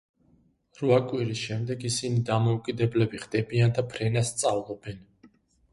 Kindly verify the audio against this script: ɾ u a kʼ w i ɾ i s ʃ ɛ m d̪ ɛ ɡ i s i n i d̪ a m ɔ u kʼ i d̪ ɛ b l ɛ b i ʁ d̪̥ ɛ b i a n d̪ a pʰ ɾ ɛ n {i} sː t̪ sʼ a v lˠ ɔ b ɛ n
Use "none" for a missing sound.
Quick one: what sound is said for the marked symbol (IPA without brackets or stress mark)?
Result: a